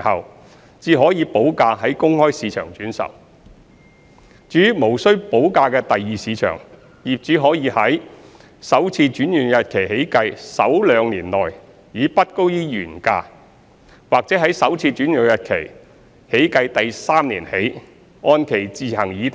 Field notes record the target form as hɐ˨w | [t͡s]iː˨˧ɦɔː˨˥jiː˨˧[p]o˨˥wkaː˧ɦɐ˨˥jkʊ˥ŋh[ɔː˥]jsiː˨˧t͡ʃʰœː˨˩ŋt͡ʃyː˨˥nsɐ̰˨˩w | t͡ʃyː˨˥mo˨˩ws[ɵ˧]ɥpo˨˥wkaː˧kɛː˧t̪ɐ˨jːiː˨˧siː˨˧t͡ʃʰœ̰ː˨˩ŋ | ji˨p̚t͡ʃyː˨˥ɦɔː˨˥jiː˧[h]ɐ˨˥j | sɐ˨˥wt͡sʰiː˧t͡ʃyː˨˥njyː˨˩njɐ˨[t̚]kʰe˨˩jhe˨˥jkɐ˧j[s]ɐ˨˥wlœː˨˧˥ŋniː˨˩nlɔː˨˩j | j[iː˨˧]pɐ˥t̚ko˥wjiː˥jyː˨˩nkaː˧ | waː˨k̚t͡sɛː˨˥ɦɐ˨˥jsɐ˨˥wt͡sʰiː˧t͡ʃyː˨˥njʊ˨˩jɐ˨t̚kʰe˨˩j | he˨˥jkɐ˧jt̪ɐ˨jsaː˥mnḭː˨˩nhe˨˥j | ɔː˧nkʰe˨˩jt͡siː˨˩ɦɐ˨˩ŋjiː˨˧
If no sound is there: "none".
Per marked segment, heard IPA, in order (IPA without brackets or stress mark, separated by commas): t͡s, p, ɔː˥, ɵ˥, h, t̚, s, iː˨˧